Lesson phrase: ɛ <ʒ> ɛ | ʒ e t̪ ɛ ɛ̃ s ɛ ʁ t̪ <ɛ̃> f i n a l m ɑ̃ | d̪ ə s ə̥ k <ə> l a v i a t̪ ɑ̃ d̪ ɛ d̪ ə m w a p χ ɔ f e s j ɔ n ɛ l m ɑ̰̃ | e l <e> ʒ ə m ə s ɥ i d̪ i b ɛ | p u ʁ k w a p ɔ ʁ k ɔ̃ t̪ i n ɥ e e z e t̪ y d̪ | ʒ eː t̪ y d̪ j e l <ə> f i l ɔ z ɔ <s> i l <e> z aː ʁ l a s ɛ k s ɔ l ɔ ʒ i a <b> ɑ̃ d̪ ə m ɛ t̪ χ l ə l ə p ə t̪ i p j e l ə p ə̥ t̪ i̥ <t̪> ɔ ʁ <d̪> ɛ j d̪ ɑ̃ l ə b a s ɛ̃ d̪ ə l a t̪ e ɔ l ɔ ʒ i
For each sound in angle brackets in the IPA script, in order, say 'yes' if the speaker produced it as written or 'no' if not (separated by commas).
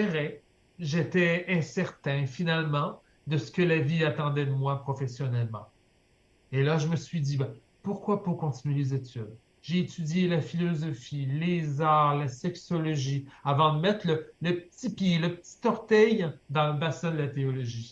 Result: no, yes, yes, no, no, no, yes, no, yes, no